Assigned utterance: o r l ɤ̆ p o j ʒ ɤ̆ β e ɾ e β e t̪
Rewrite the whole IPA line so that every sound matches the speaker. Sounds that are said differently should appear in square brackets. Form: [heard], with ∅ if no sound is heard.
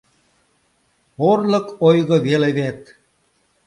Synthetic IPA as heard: o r l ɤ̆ [k] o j [ɣ] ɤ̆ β e [l] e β e t̪